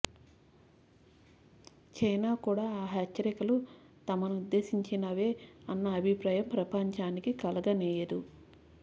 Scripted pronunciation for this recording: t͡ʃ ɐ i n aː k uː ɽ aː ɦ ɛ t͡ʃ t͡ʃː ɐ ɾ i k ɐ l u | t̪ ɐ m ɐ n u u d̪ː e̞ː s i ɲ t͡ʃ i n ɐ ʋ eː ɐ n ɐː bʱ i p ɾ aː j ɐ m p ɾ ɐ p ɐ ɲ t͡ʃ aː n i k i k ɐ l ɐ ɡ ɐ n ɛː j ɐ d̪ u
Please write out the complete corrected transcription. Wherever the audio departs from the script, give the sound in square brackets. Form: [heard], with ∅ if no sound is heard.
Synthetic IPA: t͡ʃ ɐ [j] n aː k uː ɽ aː ɦ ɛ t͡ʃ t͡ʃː ɐ ɾ i k ɐ l u | t̪ ɐ m ɐ n u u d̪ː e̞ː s i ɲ t͡ʃ i n ɐ ʋ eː ɐ [nː] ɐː bʱ i p ɾ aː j ɐ m p ɾ ɐ p ɐ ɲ t͡ʃ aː n i k i k ɐ l ɐ ɡ ɐ n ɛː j ɐ d̪ u

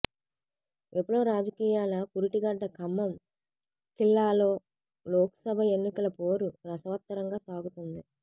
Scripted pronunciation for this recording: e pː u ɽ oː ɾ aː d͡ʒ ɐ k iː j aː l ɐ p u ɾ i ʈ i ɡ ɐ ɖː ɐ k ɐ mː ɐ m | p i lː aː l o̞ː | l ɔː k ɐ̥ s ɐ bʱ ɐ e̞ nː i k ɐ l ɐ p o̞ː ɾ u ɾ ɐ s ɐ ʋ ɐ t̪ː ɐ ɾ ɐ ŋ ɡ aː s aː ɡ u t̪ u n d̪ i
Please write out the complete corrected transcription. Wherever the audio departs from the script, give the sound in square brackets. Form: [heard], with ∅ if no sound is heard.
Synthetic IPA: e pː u ɽ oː ɾ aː d͡ʒ ɐ k iː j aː l ɐ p u ɾ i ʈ i ɡ ɐ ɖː ɐ k ɐ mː ɐ m | [k] i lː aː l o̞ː | l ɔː k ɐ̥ s ɐ bʱ ɐ e̞ nː i k ɐ l ɐ p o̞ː ɾ u ɾ ɐ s ɐ ʋ ɐ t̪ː ɐ ɾ ɐ ŋ ɡ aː s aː ɡ u t̪ u n d̪ i

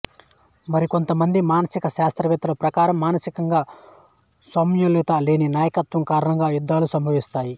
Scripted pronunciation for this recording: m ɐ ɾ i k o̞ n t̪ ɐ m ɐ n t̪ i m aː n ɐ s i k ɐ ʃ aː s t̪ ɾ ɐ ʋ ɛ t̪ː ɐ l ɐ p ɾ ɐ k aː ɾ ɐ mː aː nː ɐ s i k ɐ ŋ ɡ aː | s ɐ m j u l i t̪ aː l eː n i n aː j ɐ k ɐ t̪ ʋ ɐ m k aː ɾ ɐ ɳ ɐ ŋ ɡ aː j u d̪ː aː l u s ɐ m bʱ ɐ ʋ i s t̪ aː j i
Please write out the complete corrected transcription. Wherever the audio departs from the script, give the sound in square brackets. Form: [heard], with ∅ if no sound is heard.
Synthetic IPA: m ɐ ɾ i k o̞ n t̪ ɐ m ɐ n [d̪] i m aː n ɐ s i k ɐ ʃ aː s t̪ ɾ ɐ ʋ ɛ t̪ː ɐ l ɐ p ɾ ɐ k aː ɾ ɐ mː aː [n] ɐ s i k ɐ ŋ ɡ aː | s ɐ m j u l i t̪ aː l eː n i n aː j ɐ k ɐ t̪ ʋ ɐ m k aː ɾ ɐ ɳ ɐ ŋ ɡ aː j u d̪ː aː l u s ɐ m bʱ ɐ ʋ i s t̪ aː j i

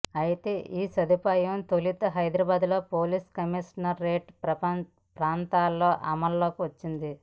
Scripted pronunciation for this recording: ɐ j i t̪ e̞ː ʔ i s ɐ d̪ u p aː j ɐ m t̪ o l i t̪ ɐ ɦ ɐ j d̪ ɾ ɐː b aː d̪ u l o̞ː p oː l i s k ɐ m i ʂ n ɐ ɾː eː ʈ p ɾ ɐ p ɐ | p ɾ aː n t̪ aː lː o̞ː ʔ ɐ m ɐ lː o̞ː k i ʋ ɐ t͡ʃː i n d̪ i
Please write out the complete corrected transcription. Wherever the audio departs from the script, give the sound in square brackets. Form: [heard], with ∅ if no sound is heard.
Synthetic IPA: ɐ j i t̪ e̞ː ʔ [iː] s ɐ d̪ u p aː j ɐ m t̪ o l i t̪ ɐ ɦ ɐ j d̪ ɾ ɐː b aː d̪ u l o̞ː p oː l i s k ɐ m i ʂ n ɐ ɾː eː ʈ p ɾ ɐ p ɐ | p ɾ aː n t̪ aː lː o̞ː ʔ ɐ m ɐ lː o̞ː k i ʋ ɐ t͡ʃː i n d̪ i

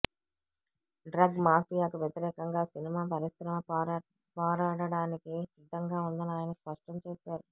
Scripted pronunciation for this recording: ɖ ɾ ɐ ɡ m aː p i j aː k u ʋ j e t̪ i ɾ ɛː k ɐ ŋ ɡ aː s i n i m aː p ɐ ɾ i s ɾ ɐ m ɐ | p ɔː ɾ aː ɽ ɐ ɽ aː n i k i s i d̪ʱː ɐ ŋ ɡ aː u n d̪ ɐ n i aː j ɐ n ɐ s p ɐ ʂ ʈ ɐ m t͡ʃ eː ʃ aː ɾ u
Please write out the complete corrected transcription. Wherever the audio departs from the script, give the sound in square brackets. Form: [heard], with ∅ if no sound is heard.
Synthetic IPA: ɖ ɾ ɐ ɡ m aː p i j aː k u ʋ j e t̪ i ɾ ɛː k ɐ ŋ ɡ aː s i n i m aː p ɐ ɾ i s ɾ ɐ m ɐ | p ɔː ɾ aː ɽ ɐ ɽ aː n i k i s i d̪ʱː ɐ ŋ ɡ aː u n d̪ ɐ n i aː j ɐ n ɐ s p ɐ ʂ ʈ ɐ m t͡ʃ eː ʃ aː ɾ u

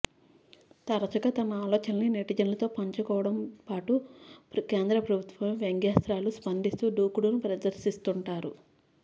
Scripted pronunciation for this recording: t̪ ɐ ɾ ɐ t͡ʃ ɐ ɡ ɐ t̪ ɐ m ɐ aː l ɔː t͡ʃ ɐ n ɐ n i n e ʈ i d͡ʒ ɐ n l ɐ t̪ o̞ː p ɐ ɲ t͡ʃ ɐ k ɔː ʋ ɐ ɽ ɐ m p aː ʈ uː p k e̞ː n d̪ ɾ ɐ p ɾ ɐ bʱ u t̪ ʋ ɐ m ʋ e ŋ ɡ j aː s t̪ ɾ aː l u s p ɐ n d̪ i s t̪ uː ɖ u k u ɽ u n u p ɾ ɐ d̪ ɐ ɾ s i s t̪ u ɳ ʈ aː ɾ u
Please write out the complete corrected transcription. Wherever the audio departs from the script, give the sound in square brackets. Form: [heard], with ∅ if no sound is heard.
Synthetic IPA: t̪ ɐ ɾ ɐ t͡ʃ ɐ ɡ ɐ t̪ ɐ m ɐ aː l ɔː t͡ʃ ɐ n ɐ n i n e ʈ i d͡ʒ ɐ n l ɐ t̪ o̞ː p ɐ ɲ t͡ʃ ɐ k ɔː ʋ ɐ ɽ ɐ m p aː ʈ [u] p k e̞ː n d̪ ɾ ɐ p ɾ ɐ bʱ u t̪ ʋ ɐ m ʋ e ŋ ɡ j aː s t̪ ɾ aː l u s p ɐ n d̪ i s t̪ uː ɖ [uː] k u ɽ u n u p ɾ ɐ d̪ ɐ ɾ s i s t̪ u ɳ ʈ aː ɾ u

